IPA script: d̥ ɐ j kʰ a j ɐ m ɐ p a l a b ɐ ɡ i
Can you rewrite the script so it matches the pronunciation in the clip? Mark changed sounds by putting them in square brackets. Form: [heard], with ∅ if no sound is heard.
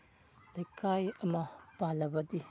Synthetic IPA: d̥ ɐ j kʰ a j ɐ m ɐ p a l [ɐ] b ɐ [d] i